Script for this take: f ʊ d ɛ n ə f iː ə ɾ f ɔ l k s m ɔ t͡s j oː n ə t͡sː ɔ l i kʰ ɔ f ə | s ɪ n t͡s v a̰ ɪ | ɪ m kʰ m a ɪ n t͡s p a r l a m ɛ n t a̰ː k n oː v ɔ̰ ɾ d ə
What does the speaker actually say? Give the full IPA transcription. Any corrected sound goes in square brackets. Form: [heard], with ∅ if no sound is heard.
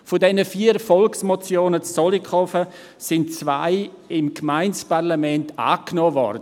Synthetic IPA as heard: f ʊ d ɛ n ə f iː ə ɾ f ɔ l k s m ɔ t͡s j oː n ə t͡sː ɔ l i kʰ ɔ f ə | s ɪ n t͡s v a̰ ɪ | ɪ m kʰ m a ɪ n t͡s p a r l a m ɛ n t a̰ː k n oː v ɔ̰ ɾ d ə